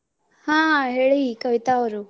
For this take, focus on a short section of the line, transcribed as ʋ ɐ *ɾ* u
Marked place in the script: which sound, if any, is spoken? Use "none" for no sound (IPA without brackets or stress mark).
ɾ